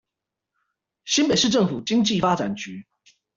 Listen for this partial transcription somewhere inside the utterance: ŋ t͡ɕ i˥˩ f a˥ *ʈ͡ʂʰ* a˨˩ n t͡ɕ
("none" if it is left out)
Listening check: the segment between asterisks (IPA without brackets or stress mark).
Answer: ʈ͡ʂ